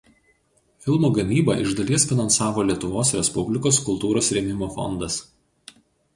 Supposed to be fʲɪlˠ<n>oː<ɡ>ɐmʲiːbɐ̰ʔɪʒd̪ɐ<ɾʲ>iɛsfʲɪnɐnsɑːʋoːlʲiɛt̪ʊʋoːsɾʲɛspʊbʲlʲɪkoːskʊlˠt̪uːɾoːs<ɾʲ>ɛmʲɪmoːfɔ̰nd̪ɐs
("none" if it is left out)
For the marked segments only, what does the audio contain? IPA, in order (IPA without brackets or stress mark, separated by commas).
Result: m, ɡ, lʲ, ɾʲ